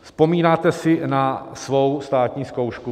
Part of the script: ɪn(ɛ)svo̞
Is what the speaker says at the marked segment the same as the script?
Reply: no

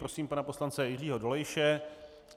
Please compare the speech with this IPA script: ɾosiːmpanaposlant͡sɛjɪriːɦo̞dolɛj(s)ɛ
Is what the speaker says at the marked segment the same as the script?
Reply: no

